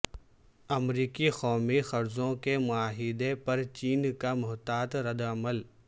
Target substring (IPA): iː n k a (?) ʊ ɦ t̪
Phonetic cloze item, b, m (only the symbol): m